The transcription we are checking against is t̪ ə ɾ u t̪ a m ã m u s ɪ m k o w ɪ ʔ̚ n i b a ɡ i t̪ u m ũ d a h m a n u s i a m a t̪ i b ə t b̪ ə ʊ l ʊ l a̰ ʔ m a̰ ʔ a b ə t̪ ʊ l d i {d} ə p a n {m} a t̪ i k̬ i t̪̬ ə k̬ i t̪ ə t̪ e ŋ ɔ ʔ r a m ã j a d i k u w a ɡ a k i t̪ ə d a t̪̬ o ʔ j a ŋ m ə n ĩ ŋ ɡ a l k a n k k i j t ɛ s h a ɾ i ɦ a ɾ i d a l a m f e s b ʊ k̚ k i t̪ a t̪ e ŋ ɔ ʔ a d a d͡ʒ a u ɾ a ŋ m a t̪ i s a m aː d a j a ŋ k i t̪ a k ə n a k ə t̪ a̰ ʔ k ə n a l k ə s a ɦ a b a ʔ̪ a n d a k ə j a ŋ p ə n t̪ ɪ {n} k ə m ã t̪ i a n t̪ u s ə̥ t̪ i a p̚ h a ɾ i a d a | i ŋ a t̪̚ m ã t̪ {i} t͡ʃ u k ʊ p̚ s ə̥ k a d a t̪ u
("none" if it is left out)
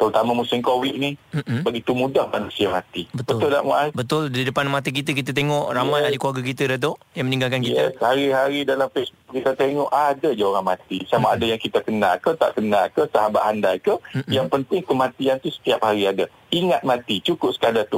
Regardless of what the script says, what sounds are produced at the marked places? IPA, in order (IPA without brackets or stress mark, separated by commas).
d, m, ŋ, i